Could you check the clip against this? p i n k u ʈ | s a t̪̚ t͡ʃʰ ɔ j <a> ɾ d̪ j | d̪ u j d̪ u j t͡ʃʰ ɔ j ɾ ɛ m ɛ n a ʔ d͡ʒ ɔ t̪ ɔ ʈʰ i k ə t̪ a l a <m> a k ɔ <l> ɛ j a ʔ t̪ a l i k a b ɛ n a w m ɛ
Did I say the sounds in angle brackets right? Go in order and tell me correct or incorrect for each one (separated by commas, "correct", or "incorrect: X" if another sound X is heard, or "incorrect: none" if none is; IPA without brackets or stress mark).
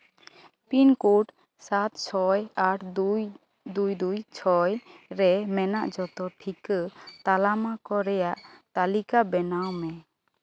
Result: correct, correct, incorrect: ɾ